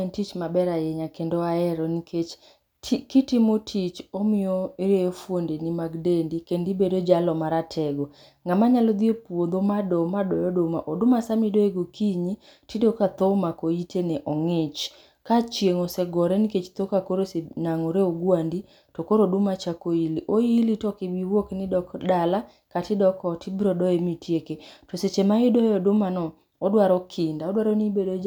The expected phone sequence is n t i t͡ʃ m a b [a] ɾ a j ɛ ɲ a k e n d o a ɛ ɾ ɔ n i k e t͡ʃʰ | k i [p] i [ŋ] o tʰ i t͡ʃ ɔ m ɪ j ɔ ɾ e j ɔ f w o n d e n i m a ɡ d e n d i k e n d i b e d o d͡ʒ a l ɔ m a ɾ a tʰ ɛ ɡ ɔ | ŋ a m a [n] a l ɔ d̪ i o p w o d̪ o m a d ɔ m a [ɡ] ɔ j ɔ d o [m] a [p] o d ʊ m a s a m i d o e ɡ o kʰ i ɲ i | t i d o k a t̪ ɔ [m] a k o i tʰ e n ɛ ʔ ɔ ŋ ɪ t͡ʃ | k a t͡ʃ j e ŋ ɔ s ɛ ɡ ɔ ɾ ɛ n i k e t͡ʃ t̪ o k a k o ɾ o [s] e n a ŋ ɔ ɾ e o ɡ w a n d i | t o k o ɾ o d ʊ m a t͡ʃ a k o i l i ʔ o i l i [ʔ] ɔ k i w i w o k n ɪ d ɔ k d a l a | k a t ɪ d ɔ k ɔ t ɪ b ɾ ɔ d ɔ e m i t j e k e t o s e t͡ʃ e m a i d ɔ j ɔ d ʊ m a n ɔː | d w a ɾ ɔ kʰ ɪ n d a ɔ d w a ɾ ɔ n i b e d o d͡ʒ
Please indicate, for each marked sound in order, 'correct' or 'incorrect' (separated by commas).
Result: incorrect, incorrect, incorrect, incorrect, incorrect, correct, incorrect, correct, correct, incorrect